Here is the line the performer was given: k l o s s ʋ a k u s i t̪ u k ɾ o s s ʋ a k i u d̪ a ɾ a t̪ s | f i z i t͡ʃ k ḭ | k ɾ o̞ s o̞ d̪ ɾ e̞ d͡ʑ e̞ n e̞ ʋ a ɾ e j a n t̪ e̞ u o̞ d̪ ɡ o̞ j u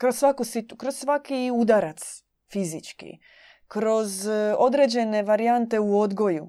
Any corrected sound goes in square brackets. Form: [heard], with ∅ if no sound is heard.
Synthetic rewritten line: k [ɾ] o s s ʋ a k u s i t̪ u k ɾ o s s ʋ a k i u d̪ a ɾ a t̪ s | f i z i t͡ʃ k ḭ | k ɾ o̞ [z] o̞ d̪ ɾ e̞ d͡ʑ e̞ n e̞ ʋ a ɾ [i] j a n t̪ e̞ u o̞ d̪ ɡ o̞ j u